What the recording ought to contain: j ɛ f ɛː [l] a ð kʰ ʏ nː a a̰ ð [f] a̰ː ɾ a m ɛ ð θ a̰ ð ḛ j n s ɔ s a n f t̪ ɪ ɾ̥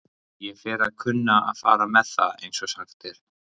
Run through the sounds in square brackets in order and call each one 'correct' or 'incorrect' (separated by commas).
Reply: incorrect, correct